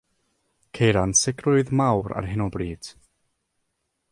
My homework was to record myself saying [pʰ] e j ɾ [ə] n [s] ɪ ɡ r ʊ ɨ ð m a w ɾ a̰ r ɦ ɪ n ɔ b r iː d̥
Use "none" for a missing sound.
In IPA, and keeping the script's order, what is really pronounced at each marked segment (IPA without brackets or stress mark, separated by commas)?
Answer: kʰ, a, s